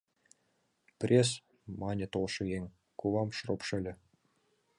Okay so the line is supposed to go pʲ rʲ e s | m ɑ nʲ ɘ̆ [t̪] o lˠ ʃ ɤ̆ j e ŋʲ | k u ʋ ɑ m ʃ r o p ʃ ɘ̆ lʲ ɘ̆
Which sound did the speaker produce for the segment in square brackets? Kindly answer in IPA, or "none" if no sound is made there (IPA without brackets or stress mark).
t̪